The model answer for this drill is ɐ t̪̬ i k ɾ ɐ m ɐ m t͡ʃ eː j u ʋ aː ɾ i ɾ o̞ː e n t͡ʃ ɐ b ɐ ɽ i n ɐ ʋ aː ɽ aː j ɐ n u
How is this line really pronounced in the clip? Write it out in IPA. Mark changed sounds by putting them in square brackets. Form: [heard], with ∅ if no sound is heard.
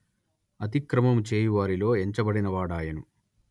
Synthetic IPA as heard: ɐ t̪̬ i k ɾ ɐ m ɐ m t͡ʃ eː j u ʋ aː ɾ i [l] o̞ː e [ɲ] t͡ʃ ɐ b ɐ ɽ i n ɐ ʋ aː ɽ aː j ɐ n u